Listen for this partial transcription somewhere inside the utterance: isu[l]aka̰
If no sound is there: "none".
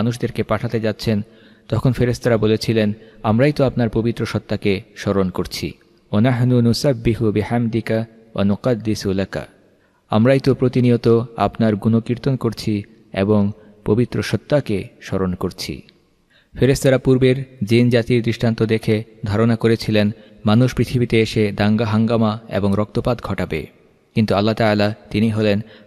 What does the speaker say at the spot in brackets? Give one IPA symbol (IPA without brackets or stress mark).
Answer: l